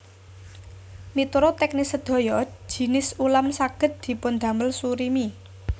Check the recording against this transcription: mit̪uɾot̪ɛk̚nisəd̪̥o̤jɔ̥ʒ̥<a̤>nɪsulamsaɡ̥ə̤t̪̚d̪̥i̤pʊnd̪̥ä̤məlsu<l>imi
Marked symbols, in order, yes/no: no, no

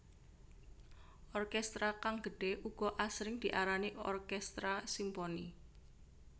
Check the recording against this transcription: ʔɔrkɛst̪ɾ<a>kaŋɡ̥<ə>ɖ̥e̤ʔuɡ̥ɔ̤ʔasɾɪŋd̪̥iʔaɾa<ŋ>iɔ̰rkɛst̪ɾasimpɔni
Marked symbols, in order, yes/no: yes, yes, no

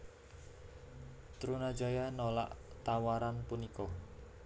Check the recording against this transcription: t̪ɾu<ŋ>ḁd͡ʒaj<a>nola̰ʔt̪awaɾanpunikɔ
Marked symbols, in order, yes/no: no, yes

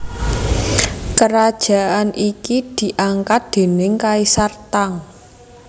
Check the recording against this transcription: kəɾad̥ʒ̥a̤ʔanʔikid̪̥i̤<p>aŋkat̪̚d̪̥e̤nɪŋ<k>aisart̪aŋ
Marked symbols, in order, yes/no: no, yes

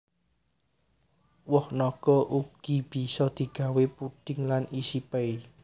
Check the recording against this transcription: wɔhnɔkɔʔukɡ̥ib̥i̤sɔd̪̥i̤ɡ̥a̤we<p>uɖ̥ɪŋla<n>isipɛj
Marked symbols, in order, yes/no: yes, yes

